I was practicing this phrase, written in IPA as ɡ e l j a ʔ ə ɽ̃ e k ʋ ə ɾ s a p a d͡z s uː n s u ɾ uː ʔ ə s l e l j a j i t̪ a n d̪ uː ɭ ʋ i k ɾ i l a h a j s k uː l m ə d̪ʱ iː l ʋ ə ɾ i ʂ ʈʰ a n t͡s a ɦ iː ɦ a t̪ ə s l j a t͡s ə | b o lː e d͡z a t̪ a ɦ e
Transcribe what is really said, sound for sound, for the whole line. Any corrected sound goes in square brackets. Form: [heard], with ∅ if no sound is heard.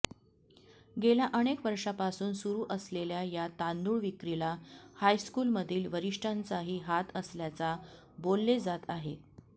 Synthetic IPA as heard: ɡ e l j a ʔ ə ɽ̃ e k ʋ ə ɾ [ʂ] a p a [∅] s uː n s u ɾ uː ʔ ə s l e l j a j [a] t̪ a n d̪ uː ɭ ʋ i k ɾ i l a h a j s k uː l m ə d̪ʱ iː l ʋ ə ɾ i ʂ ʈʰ a n t͡s a ɦ iː ɦ a t̪ ə s l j a t͡s [a] | b o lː e d͡z a t̪ a ɦ e